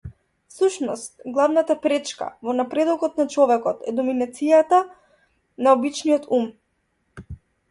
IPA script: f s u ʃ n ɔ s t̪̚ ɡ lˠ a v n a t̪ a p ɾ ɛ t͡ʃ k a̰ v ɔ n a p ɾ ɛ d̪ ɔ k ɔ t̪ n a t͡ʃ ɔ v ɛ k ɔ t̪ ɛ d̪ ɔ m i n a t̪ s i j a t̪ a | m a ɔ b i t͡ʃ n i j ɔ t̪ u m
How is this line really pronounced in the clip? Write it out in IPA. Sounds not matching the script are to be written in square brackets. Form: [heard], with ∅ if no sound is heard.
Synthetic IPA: f s u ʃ n ɔ s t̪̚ ɡ lˠ a v n a t̪ a p ɾ ɛ t͡ʃ k a̰ v ɔ n a p ɾ ɛ d̪ ɔ k ɔ t̪ n a t͡ʃ ɔ v ɛ k ɔ t̪ ɛ d̪ ɔ m i n a t̪ s i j a t̪ a | [n] a ɔ b i t͡ʃ n i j ɔ t̪ u m